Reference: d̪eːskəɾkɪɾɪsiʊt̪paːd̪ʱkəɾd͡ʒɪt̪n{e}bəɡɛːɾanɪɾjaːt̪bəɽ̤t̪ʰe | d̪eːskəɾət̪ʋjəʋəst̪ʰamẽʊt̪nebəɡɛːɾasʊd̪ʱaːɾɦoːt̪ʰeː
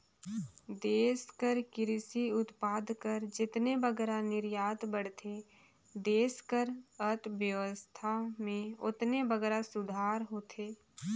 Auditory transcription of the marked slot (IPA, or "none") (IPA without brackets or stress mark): e